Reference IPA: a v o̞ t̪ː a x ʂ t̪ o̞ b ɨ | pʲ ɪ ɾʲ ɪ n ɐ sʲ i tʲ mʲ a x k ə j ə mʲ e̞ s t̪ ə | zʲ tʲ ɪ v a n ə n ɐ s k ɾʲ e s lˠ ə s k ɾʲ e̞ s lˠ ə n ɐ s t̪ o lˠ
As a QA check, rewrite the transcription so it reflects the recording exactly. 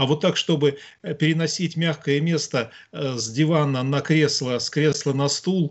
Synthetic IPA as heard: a v o̞ t̪ː a k ʂ t̪ o̞ b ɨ | pʲ ɪ ɾʲ ɪ n ɐ sʲ i tʲ mʲ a x k ə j ə mʲ e̞ s t̪ ə | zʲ dʲ ɪ v a n ə n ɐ k ɾʲ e s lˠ ə s k ɾʲ e̞ s lˠ ə n ɐ s t̪ u lˠ